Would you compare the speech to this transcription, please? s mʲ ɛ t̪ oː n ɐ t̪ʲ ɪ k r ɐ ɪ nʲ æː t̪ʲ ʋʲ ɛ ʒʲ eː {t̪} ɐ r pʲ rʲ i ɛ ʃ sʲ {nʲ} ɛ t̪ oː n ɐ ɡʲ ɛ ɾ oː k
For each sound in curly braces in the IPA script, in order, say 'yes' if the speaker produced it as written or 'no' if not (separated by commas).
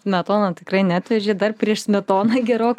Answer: no, no